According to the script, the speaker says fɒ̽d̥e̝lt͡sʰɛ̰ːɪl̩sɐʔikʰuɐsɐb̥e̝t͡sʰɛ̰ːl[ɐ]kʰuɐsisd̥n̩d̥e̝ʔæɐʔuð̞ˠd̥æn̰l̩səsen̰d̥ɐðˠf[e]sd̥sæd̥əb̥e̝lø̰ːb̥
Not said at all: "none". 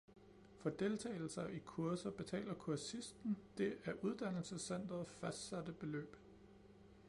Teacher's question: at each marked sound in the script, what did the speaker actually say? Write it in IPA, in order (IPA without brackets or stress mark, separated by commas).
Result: ɐ, æ